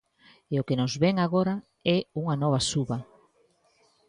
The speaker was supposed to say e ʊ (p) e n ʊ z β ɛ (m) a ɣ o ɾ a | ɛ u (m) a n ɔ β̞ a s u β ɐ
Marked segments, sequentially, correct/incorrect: incorrect: k, incorrect: ŋ, incorrect: ŋ

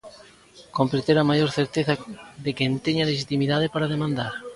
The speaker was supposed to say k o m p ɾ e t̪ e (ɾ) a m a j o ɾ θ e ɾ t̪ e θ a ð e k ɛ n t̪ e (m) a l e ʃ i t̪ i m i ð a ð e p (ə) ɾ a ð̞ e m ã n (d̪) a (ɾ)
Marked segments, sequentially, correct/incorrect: correct, incorrect: ɲ, incorrect: a, correct, correct

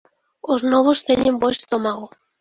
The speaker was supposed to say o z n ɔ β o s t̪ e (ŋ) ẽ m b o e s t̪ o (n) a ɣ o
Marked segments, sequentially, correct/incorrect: incorrect: ɲ, incorrect: m

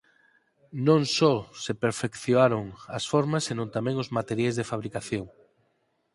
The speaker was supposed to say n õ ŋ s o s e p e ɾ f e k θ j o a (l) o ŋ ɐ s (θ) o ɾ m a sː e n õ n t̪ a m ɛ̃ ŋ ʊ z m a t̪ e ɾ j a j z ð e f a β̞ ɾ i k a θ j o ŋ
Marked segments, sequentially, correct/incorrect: incorrect: ɾ, incorrect: f

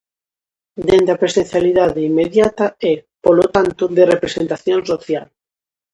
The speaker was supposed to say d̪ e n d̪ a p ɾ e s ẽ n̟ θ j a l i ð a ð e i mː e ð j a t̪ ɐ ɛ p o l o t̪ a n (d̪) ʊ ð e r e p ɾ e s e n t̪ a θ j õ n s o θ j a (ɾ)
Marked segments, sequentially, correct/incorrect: incorrect: t̪, incorrect: l

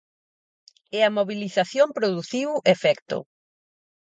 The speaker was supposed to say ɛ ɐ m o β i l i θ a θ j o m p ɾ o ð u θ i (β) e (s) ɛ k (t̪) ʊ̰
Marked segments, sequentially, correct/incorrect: incorrect: w, incorrect: f, correct

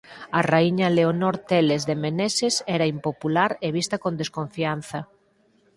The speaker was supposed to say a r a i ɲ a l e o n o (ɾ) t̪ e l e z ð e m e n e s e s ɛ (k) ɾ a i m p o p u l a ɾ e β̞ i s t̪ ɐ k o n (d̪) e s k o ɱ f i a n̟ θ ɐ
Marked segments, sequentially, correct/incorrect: correct, incorrect: none, correct

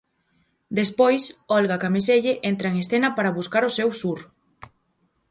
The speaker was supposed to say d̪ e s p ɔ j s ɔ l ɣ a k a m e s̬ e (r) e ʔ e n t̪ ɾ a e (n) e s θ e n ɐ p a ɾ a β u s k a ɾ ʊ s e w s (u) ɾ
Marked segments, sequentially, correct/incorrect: incorrect: ʎ, incorrect: ŋ, correct

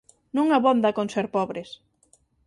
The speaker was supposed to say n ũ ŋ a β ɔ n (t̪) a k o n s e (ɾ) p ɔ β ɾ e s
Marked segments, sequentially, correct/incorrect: incorrect: d̪, correct

